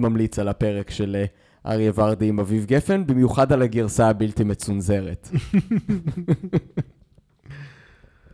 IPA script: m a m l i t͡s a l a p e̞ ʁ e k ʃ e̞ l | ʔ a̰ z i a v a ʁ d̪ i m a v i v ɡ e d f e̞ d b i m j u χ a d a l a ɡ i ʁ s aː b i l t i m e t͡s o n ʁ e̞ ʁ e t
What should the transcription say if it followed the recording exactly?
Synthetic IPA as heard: m a m l i t͡s a l a p e̞ ʁ e k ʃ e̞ l | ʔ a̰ ʁ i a v a ʁ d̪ i m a v i v ɡ e f e̞ n b i m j u χ a d a l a ɡ i ʁ s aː b i l t i m e t͡s u n z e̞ ʁ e t